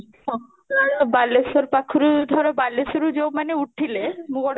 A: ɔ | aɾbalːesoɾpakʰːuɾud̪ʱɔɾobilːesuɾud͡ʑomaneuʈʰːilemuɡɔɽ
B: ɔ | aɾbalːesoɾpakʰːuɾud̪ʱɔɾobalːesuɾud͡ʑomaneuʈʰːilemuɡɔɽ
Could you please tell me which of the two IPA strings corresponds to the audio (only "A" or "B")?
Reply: B